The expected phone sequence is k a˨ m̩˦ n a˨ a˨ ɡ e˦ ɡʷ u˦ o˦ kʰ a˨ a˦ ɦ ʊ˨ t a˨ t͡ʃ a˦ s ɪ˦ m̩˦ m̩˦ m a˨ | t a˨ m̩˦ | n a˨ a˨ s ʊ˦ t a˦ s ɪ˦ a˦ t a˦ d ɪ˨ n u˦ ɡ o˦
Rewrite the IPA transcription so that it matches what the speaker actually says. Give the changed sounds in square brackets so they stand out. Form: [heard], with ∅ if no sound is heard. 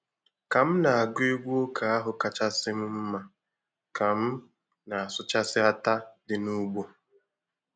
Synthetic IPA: k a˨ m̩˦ n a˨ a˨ ɡ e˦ ɡʷ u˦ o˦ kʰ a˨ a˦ ɦ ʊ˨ [k] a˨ t͡ʃ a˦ s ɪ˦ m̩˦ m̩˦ m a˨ | [k] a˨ m̩˦ | n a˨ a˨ s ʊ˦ [t͡ʃ] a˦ s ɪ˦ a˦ t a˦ d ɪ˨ n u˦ [ɡ͡b] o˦